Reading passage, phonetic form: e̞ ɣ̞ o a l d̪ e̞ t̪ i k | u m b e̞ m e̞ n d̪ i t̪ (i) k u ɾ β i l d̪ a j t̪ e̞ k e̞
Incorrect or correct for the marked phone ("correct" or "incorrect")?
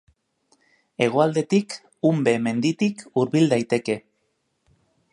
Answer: correct